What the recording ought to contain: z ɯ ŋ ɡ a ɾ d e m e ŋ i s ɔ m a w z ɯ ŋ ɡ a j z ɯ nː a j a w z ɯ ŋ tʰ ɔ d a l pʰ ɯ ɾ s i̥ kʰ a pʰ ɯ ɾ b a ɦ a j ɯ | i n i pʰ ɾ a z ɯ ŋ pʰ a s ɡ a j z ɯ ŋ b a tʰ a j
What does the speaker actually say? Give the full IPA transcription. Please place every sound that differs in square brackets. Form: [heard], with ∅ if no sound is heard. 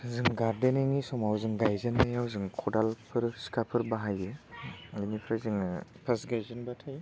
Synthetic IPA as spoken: z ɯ ŋ ɡ a ɾ d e [n] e ŋ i s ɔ m a w z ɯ ŋ ɡ a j z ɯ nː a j a w z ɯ ŋ [kʰ] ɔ d a l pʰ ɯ ɾ s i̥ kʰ a pʰ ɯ ɾ b a ɦ a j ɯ | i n i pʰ ɾ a z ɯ ŋ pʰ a s ɡ a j z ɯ [n] b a tʰ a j